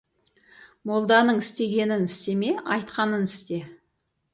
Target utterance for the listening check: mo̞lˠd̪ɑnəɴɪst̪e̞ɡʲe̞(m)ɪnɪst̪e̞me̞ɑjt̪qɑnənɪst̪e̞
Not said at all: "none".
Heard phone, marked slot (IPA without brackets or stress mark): n